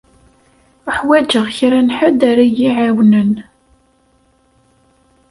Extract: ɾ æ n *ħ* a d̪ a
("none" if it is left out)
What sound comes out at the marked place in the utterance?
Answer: ħ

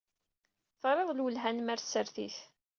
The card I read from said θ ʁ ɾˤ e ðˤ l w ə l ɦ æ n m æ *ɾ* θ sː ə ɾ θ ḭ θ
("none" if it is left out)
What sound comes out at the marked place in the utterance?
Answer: ɾ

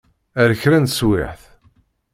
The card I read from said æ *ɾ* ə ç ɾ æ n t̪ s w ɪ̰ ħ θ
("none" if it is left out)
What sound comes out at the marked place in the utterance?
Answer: ɾ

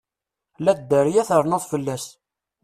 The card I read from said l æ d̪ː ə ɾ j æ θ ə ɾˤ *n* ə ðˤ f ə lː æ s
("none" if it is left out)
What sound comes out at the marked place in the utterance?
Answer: n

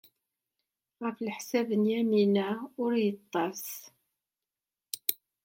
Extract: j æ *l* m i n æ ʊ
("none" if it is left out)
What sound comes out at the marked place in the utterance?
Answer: none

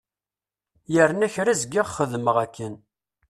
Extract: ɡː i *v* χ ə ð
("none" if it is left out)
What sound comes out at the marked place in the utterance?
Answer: ʁ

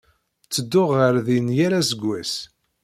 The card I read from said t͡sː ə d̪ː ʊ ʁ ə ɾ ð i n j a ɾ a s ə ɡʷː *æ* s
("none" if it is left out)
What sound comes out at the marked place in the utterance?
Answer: æ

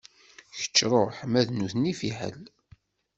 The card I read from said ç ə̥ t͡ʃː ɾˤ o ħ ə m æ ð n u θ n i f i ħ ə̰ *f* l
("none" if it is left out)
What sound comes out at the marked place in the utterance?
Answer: none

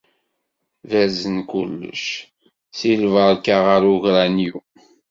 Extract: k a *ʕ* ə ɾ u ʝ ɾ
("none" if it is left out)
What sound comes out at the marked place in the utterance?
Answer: ʁ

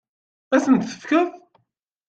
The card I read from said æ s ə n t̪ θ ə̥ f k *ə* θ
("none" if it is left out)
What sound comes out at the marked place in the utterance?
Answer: ə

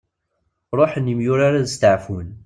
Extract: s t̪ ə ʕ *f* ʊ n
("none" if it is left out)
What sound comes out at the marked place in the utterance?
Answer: f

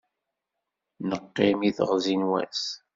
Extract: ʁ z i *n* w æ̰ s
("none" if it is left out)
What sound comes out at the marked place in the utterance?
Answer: n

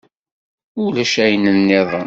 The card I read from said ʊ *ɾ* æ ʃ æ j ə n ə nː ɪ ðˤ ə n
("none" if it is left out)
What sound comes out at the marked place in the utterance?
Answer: l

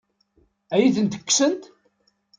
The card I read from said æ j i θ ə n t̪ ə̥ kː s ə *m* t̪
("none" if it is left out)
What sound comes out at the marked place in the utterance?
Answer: n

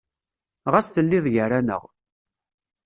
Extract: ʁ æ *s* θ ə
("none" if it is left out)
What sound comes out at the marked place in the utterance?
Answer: s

